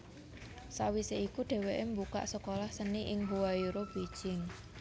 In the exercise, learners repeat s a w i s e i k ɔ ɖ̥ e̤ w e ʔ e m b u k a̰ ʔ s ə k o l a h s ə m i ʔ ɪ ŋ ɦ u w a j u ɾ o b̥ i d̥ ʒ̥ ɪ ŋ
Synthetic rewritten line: s a w i s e i k u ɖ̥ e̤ w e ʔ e m b u k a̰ ʔ s ə k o l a h s ə n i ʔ ɪ ŋ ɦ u w a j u ɾ o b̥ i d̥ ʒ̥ ɪ ŋ